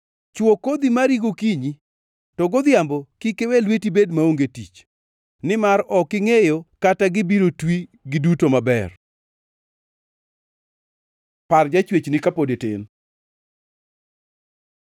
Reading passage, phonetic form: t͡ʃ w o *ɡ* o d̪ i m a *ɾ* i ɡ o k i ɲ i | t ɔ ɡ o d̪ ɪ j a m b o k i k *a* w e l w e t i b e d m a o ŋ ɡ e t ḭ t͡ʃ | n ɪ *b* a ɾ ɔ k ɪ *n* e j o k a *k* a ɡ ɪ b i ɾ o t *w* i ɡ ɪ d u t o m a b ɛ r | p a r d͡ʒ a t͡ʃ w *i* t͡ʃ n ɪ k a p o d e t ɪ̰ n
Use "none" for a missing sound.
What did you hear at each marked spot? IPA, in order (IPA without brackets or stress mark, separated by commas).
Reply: k, ɾ, e, m, ŋ, t, w, e